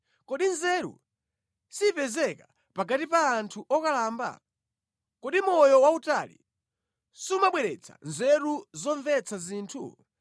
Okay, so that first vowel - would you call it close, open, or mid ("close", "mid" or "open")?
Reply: mid